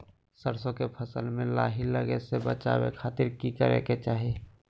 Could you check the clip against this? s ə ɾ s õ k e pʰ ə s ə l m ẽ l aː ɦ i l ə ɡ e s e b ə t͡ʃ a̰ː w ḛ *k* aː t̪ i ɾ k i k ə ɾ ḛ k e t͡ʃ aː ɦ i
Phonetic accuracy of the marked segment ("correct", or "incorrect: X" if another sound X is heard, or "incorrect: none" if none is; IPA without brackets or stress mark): incorrect: kʰ